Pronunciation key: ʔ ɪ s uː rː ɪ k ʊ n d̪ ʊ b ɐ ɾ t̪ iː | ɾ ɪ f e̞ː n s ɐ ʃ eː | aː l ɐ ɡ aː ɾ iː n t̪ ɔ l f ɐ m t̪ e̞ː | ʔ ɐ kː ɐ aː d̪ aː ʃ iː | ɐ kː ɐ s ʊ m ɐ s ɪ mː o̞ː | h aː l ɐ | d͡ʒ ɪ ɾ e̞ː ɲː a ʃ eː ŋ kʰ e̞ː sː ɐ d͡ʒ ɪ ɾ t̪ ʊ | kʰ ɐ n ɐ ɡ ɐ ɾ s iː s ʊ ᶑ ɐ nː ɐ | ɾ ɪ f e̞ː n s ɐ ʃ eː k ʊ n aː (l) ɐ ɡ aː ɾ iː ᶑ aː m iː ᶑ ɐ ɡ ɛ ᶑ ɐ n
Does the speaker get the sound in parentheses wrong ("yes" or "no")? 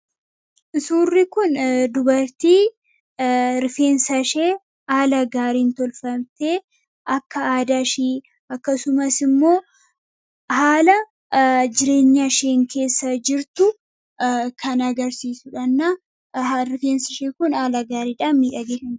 no